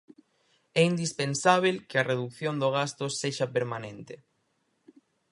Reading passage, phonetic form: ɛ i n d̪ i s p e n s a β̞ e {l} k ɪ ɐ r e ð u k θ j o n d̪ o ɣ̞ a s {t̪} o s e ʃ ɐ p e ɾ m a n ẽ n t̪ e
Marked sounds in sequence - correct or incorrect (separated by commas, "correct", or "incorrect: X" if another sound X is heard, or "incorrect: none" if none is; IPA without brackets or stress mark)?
correct, correct